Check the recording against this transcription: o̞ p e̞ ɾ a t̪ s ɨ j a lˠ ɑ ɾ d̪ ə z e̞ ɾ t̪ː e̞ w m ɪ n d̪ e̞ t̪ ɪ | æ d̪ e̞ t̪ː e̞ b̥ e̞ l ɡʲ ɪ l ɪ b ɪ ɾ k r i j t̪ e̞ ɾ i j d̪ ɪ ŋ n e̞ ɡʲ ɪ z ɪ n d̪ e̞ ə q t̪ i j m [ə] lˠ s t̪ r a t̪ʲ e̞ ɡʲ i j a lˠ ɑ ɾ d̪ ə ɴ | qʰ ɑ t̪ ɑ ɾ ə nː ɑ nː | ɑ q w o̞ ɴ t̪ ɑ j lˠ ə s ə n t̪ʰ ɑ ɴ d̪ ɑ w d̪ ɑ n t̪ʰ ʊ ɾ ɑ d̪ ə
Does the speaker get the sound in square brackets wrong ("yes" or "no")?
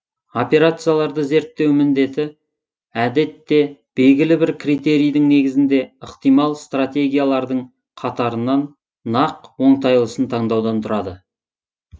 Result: yes